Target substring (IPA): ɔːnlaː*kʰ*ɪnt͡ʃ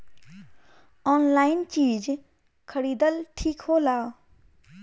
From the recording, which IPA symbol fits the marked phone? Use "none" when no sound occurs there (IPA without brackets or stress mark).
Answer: none